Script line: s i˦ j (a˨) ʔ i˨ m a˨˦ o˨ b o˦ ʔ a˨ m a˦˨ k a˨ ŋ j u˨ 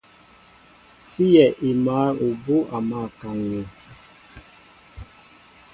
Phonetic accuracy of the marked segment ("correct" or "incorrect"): incorrect